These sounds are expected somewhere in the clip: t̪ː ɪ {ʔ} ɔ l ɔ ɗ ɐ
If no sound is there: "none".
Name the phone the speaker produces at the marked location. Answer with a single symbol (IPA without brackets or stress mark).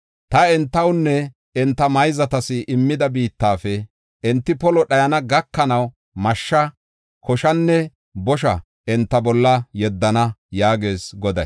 p